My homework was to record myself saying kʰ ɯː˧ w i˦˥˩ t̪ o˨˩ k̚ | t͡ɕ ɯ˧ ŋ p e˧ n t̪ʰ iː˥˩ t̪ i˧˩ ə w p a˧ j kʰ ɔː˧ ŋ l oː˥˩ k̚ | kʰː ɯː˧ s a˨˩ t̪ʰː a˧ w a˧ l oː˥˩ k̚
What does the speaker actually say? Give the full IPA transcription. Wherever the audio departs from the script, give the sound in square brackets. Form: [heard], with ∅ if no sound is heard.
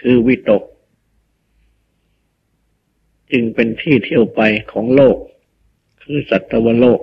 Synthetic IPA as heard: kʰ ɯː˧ w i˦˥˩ t̪ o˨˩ k̚ | t͡ɕ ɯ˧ ŋ p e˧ n t̪ʰ iː˥˩ [t̪ʰ] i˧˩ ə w p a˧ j kʰ [ɔː˩˦] ŋ l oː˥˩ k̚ | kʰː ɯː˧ s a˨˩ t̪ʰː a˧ w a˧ l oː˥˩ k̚